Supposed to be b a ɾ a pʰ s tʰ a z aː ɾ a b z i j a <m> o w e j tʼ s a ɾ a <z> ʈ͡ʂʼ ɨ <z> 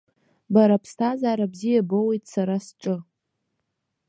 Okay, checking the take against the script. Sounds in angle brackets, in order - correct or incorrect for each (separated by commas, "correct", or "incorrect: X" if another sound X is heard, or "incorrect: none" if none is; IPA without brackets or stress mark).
incorrect: b, incorrect: s, incorrect: none